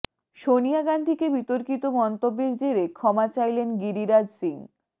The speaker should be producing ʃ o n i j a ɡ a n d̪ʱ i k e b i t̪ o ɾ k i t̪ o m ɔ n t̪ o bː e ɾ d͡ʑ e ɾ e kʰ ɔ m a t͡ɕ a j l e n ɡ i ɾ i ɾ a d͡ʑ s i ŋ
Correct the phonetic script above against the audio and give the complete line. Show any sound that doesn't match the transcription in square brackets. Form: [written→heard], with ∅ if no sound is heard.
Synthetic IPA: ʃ o n i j a ɡ a n d̪ʱ i k e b i t̪ o ɾ k i t̪ o m ɔ n t̪ o bː e ɾ d͡ʑ e ɾ e kʰ ɔ m a t͡ɕ a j l e n ɡ i ɾ i ɾ a d͡ʑ s i ŋ